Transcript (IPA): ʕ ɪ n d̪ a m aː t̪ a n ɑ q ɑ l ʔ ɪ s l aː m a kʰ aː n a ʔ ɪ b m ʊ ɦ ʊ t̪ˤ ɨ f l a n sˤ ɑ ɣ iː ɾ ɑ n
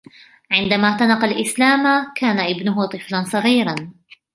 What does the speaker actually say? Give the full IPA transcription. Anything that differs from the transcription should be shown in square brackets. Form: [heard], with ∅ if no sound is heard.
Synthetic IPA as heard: ʕ ɪ n d̪ a m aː t̪ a n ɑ q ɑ l ʔ ɪ s l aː m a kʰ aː n a ʔ ɪ b [n] ʊ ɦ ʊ t̪ˤ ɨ f l a n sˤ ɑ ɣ iː ɾ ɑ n